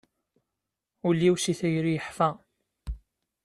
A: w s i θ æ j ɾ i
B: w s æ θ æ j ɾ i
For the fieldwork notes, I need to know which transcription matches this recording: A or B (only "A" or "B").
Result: A